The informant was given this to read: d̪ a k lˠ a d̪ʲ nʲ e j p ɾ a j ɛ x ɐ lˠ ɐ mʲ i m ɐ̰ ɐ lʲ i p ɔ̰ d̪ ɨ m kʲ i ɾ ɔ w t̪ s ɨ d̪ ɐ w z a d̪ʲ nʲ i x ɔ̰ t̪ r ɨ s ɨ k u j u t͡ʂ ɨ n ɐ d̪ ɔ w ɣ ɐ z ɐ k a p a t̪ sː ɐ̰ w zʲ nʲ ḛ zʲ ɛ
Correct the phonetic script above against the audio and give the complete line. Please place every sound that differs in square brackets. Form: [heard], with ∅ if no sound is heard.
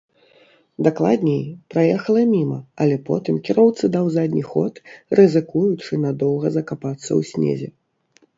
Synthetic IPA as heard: d̪ a k lˠ a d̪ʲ nʲ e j p ɾ a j ɛ x ɐ lˠ ɐ mʲ i m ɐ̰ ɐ lʲ [ɛ] p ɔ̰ [t̪] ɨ m kʲ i ɾ ɔ w t̪ s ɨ d̪ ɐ w z a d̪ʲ nʲ i x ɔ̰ t̪ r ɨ [z] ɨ k u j u t͡ʂ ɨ n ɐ d̪ ɔ w ɣ ɐ z ɐ k a p a t̪ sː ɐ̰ w [sʲ] nʲ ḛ zʲ ɛ